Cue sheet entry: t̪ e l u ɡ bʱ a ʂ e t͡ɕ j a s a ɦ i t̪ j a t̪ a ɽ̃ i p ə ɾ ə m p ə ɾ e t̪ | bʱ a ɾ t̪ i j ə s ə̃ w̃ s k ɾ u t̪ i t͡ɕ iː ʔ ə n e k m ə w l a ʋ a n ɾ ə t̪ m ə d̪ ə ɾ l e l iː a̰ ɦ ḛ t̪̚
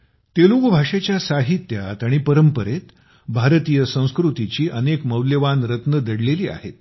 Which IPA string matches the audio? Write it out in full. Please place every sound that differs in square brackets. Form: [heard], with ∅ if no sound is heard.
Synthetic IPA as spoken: t̪ e l u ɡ bʱ a ʂ e t͡ɕ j a s a ɦ i t̪ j a t̪ a ɽ̃ i p ə ɾ ə m p ə ɾ e t̪ | bʱ a ɾ t̪ i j ə s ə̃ w̃ s k ɾ u t̪ i t͡ɕ iː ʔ ə n e k m ə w l [ə] ʋ a n ɾ ə t̪ [n] ə d̪ ə [ɽ] l e l iː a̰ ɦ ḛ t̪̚